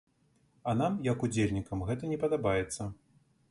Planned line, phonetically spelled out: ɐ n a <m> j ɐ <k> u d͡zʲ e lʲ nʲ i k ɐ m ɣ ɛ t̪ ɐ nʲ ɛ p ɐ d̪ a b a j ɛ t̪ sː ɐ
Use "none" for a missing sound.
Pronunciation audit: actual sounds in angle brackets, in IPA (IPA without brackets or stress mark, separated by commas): m, k